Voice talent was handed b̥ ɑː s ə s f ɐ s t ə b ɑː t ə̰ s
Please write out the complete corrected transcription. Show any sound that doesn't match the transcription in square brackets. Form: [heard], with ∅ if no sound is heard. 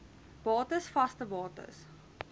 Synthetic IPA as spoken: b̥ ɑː [t] ə s f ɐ s t ə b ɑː t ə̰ s